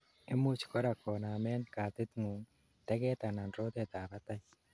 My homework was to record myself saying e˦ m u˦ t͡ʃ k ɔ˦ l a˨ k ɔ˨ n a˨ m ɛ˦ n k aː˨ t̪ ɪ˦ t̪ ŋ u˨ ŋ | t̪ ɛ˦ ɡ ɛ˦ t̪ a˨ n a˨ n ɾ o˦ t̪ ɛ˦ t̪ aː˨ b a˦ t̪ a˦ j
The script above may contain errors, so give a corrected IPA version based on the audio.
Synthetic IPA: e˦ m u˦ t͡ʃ k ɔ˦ ɾ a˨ k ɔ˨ n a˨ m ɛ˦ n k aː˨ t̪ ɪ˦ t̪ ŋ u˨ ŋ | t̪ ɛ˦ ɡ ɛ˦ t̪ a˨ n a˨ n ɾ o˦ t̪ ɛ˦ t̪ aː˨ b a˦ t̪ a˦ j